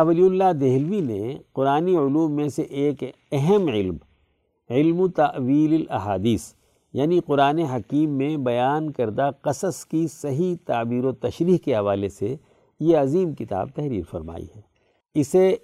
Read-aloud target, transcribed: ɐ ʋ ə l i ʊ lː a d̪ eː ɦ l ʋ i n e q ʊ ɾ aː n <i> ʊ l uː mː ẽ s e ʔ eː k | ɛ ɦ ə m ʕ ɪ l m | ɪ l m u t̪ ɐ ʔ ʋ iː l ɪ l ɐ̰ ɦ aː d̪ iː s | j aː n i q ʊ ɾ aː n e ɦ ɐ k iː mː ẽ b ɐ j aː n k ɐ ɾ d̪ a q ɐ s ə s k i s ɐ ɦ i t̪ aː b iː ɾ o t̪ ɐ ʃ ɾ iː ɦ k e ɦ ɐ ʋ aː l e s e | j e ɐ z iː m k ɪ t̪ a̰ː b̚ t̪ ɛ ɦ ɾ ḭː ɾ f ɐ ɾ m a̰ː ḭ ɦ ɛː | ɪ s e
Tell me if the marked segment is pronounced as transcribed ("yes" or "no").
yes